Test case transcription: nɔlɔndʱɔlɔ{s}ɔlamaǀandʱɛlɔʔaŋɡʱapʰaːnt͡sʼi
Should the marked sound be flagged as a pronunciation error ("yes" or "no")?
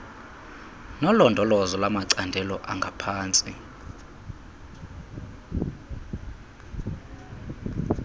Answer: yes